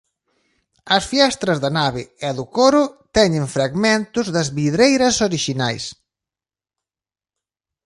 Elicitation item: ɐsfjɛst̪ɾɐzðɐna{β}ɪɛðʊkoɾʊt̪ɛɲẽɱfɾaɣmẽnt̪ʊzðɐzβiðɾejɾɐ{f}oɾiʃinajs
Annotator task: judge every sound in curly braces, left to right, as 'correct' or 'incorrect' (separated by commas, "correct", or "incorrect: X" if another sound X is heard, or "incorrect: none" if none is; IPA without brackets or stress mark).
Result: correct, incorrect: s